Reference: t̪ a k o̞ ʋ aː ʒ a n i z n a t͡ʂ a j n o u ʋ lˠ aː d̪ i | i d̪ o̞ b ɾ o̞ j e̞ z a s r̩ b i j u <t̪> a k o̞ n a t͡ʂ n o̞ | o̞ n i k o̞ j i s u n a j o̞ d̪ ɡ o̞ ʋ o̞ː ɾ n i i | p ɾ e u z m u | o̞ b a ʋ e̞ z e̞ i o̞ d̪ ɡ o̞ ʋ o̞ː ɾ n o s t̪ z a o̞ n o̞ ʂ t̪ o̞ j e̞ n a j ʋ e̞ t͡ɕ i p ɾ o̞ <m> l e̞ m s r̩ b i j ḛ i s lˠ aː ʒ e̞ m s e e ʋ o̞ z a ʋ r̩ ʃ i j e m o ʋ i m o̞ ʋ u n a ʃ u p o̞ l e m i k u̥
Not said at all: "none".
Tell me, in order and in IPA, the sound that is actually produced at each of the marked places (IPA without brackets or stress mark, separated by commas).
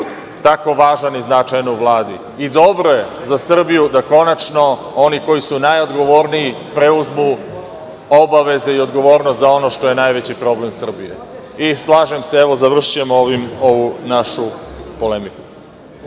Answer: d̪, b